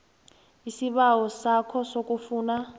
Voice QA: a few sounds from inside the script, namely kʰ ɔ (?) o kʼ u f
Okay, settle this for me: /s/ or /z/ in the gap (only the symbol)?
s